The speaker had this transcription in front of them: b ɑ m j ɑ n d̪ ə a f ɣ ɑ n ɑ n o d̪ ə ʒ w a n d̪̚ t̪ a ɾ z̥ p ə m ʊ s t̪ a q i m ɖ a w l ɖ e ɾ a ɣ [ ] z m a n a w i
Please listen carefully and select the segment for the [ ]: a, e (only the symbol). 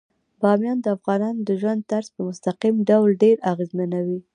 e